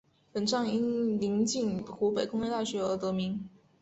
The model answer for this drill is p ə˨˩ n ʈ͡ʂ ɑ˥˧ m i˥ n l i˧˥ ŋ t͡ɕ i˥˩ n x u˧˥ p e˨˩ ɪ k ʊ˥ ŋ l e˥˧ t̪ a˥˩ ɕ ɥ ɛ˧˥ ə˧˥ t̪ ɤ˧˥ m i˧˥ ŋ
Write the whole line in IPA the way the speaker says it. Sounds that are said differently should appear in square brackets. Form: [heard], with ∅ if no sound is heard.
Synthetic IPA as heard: p ə˨˩ n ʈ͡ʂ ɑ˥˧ [ŋ] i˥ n l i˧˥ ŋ t͡ɕ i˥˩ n x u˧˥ p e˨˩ ɪ k ʊ˥ ŋ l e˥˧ t̪ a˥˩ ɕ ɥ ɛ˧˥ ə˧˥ t̪ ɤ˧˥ m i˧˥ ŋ